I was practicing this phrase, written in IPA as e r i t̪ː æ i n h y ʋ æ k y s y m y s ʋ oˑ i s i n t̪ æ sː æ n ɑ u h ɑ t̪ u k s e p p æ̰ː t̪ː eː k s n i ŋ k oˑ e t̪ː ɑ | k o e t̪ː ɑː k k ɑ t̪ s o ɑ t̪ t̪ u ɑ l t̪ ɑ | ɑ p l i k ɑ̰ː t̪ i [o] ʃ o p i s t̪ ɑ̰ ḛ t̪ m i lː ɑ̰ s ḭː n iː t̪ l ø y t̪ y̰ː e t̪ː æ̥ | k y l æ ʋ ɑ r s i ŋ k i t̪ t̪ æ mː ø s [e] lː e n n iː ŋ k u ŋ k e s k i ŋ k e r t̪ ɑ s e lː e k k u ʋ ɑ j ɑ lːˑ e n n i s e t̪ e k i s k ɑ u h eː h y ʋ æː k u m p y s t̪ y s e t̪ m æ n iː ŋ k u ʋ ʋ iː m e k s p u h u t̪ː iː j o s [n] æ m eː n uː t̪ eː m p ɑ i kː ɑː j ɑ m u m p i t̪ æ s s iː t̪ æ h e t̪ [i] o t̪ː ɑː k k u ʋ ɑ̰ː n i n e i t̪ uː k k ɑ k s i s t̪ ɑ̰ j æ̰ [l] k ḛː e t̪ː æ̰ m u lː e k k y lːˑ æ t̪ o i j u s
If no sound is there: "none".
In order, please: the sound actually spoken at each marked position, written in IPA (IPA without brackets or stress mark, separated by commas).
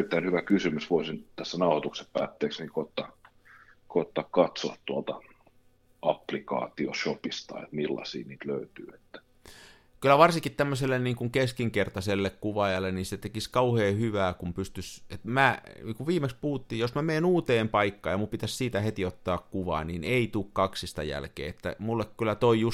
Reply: o, e, m, i, l